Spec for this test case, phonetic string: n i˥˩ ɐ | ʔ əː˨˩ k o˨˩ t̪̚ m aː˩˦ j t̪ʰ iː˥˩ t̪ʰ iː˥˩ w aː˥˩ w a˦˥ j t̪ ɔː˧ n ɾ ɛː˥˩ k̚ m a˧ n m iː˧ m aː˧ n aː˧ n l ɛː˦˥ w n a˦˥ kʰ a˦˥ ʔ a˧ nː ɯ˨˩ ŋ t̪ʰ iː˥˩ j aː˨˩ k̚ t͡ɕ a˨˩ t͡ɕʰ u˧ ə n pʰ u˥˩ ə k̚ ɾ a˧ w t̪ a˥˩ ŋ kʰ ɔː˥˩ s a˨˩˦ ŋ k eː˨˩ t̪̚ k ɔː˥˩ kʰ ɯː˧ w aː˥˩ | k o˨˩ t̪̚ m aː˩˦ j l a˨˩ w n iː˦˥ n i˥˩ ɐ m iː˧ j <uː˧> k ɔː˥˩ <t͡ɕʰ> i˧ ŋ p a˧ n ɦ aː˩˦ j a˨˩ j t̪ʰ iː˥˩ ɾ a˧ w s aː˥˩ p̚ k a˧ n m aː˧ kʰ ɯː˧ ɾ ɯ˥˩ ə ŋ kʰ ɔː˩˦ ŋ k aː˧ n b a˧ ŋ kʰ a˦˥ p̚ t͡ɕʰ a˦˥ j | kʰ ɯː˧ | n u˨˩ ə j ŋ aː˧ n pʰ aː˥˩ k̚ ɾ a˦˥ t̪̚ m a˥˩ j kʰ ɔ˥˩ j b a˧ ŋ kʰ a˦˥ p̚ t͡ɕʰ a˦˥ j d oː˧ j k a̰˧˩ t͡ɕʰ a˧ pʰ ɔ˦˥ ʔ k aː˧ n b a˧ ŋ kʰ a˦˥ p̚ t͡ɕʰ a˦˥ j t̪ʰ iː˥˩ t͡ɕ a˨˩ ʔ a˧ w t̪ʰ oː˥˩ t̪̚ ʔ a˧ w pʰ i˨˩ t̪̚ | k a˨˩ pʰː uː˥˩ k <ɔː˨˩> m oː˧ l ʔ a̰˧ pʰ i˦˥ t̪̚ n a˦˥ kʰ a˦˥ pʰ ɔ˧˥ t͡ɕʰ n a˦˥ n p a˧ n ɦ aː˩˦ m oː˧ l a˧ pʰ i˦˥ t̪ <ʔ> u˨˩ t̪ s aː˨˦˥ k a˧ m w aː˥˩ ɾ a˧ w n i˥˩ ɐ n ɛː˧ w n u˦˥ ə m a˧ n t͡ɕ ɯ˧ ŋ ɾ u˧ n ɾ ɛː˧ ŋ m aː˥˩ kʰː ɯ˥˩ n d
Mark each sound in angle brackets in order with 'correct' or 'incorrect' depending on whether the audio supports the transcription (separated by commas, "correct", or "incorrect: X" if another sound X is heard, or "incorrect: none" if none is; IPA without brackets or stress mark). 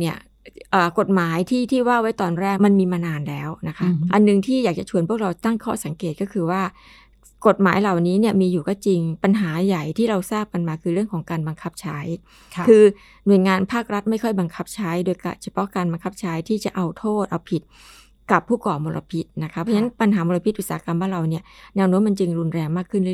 incorrect: uː˨˩, incorrect: t͡ɕ, correct, correct